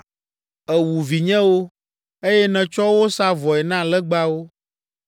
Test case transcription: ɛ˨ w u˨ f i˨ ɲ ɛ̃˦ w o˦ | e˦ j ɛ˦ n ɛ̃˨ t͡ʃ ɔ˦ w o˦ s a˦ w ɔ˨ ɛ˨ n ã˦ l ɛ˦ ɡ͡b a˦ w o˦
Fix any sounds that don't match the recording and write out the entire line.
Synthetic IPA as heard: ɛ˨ w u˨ v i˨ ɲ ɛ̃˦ w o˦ | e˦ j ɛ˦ n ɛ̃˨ t͡ʃ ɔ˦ w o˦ s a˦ v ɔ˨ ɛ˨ n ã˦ l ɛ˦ ɡ͡b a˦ w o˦